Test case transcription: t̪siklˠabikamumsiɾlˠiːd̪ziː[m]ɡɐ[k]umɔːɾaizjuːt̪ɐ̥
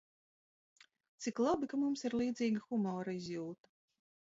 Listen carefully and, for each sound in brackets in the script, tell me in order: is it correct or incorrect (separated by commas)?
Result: incorrect, incorrect